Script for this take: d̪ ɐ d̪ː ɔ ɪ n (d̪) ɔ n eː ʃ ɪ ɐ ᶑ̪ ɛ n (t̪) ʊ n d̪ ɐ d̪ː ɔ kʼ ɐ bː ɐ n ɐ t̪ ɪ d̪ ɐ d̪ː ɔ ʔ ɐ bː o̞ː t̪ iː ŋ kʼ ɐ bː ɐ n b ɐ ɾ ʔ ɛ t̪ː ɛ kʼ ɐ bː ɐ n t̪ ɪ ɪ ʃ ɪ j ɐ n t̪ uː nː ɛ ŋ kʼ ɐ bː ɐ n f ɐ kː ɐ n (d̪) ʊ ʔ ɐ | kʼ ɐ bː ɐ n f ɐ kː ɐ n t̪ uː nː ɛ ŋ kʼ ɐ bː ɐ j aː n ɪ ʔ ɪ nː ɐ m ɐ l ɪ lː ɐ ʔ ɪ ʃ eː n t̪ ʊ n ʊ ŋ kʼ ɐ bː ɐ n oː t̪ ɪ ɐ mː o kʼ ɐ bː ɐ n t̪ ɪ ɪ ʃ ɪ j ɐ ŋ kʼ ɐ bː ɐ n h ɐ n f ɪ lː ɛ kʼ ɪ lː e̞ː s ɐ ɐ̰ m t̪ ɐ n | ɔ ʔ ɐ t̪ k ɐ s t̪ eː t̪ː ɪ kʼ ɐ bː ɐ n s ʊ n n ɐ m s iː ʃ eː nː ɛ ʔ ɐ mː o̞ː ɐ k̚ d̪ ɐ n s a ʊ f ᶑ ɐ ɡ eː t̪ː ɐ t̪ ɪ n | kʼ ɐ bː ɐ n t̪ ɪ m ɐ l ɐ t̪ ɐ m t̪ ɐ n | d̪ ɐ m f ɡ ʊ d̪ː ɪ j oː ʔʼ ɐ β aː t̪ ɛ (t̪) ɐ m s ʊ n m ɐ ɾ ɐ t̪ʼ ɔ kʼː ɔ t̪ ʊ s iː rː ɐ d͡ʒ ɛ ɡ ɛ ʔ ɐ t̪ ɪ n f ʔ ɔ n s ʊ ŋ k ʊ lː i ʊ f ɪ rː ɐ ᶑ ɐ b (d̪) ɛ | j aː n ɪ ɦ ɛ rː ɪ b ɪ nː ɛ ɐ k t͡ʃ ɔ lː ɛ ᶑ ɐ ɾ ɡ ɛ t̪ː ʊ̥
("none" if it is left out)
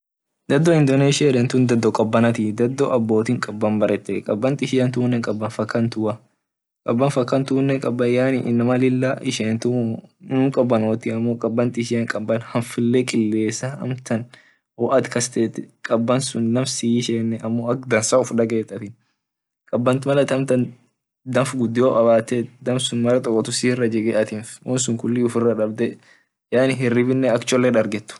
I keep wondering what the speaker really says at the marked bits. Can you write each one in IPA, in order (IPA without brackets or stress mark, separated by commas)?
d̪, t̪, t̪, d̪, d̪